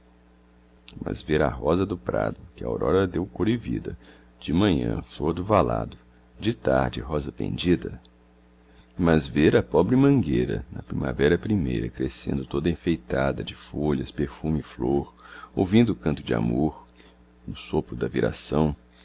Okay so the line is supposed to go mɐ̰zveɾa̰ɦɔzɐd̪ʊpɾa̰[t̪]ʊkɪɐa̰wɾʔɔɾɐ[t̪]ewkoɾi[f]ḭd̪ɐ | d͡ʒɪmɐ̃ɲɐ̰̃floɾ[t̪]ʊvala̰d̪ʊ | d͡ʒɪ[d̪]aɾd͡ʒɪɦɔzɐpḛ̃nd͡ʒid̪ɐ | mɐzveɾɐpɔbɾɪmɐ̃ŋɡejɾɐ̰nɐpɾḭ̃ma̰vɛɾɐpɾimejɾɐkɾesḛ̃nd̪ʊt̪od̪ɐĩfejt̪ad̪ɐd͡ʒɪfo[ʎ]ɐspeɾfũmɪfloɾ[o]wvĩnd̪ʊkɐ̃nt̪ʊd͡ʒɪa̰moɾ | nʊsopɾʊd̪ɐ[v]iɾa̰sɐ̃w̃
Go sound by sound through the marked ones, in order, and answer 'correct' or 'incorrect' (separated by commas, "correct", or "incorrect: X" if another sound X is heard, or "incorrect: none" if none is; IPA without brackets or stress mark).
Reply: incorrect: d̪, incorrect: d̪, incorrect: v, incorrect: d̪, incorrect: t̪, correct, correct, correct